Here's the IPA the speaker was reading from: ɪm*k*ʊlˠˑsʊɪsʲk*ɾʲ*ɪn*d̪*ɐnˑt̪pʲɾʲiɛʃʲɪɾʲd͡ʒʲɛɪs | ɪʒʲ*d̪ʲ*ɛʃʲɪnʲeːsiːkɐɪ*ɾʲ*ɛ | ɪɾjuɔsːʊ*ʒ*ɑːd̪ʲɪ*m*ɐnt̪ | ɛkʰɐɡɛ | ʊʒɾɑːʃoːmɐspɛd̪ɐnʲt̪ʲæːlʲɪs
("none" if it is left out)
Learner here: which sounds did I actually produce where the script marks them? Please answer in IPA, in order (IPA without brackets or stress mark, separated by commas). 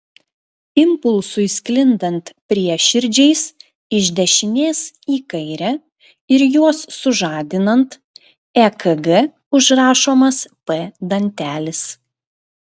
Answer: p, lʲ, d̪, d̪ʲ, ɾʲ, ʒ, n